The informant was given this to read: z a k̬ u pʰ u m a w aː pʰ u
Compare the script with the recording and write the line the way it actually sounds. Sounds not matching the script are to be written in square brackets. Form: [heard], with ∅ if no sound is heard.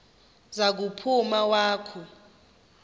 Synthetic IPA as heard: z a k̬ u pʰ u m a w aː [kʰ] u